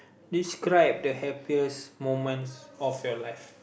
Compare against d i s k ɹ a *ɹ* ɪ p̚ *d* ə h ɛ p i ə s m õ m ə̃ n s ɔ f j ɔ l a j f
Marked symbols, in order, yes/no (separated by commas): no, yes